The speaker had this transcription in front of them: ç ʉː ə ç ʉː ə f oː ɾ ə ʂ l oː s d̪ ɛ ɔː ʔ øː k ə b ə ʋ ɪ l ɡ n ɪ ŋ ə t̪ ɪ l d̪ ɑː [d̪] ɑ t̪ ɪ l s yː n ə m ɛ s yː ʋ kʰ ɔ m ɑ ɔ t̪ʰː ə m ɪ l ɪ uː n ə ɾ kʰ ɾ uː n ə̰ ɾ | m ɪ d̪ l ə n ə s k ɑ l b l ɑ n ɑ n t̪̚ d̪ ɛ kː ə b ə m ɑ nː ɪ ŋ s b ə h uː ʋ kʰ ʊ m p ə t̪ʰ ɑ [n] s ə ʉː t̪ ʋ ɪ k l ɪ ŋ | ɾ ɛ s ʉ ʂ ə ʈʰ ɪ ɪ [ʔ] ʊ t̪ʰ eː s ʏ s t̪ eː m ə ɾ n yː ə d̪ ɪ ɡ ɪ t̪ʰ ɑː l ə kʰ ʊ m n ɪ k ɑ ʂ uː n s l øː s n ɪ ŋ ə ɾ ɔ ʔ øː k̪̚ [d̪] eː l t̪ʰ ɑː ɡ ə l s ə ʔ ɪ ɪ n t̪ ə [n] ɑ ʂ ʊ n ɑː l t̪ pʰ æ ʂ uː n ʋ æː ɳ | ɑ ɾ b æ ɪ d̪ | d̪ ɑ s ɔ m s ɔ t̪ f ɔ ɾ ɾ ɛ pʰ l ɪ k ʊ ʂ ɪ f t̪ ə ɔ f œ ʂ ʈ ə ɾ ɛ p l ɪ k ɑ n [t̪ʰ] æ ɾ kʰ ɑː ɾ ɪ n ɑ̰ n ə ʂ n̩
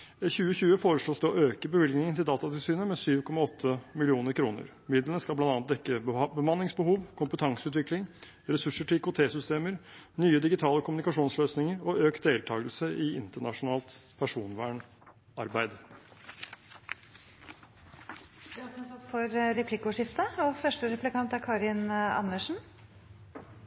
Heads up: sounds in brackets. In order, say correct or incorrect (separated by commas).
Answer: incorrect, incorrect, incorrect, correct, incorrect, incorrect